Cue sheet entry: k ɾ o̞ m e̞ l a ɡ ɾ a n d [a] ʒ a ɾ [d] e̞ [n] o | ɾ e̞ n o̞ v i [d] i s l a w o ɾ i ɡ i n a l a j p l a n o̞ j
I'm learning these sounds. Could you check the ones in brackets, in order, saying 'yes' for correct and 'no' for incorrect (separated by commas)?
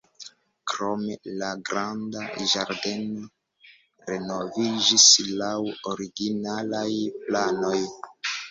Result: yes, yes, yes, no